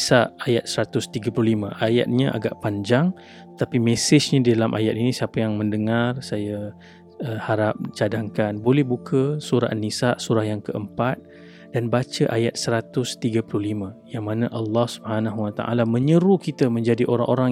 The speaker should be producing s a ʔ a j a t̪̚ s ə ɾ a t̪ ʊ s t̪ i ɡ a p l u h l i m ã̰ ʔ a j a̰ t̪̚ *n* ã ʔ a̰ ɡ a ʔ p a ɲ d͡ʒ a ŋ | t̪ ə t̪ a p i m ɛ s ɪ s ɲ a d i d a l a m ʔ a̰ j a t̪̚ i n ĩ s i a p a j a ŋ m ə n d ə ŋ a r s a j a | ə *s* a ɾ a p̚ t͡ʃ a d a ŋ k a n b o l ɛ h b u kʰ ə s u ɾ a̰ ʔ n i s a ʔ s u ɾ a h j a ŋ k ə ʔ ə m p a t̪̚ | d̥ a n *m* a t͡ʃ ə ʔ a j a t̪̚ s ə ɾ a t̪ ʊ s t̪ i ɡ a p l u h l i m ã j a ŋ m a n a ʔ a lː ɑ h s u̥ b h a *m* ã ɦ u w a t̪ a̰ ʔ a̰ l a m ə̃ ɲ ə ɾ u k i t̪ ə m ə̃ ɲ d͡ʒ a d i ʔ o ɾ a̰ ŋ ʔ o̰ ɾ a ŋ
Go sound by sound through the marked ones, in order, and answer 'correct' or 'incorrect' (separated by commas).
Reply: incorrect, incorrect, incorrect, incorrect